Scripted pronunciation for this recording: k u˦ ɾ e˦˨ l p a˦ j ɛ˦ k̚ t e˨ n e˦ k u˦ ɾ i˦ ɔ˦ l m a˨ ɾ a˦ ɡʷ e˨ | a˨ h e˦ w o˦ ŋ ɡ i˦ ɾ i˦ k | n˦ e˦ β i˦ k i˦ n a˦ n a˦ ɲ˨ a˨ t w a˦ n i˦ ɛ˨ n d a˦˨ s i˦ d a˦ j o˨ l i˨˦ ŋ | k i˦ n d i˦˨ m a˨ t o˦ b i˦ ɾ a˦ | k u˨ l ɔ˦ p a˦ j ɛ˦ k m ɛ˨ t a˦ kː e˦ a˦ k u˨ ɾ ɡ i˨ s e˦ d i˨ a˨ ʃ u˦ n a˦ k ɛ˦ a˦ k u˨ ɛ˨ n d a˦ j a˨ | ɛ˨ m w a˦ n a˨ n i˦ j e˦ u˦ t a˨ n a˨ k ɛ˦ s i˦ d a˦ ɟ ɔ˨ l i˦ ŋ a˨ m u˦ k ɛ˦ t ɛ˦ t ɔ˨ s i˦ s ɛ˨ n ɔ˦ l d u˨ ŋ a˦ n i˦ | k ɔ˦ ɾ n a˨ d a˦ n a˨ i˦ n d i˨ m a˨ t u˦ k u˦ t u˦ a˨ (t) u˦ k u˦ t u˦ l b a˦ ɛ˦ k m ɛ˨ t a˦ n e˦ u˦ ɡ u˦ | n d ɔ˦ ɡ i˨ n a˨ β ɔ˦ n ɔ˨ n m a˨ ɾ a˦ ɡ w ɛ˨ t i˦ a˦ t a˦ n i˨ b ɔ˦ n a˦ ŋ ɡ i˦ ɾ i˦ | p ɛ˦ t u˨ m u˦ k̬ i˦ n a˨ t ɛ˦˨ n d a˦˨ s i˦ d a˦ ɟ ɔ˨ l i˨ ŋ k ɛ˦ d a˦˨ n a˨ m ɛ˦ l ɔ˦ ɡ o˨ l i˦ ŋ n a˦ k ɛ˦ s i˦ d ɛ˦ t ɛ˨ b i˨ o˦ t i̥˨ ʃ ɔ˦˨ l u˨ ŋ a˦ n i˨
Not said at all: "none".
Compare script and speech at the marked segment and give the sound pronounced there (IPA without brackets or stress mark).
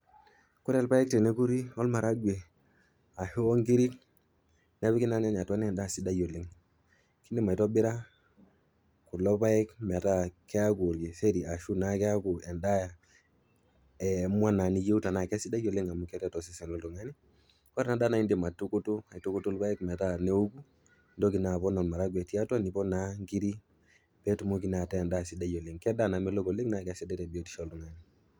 t